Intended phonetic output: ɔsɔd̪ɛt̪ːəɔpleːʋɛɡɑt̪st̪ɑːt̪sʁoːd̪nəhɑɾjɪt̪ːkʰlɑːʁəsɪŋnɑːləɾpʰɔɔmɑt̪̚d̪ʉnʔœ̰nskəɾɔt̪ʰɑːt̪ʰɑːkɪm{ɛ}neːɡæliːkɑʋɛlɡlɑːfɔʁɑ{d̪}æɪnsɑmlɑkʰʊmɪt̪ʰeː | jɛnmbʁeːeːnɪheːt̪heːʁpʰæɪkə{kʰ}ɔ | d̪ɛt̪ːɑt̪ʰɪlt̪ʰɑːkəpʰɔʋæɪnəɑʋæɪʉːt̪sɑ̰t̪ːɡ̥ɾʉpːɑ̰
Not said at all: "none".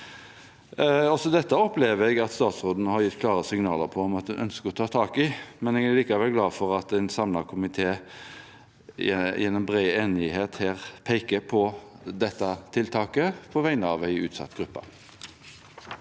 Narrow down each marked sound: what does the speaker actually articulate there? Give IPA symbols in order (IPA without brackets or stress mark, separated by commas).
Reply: ɛ, t̪, pʰ